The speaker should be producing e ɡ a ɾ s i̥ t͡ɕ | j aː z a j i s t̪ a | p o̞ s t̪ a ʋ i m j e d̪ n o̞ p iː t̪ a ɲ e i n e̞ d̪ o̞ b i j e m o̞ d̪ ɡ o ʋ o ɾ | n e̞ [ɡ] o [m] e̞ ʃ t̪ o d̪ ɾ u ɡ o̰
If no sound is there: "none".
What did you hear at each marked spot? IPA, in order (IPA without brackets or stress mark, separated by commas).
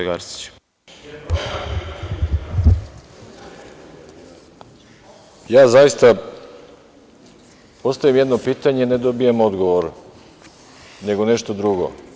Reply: ɡ, n